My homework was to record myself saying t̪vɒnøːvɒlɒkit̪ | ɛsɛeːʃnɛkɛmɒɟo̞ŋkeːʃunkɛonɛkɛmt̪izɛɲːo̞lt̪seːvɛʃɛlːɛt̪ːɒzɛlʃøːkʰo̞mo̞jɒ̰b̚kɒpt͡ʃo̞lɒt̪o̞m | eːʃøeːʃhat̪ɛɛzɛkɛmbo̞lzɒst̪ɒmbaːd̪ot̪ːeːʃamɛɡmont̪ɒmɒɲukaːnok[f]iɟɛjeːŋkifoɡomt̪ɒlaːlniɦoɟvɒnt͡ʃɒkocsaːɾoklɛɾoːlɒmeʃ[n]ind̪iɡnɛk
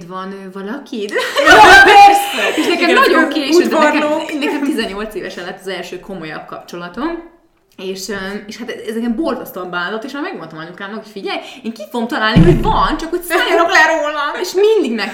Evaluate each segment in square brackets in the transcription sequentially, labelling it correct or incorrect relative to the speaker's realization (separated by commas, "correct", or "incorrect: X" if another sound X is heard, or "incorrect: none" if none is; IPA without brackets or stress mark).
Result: correct, incorrect: m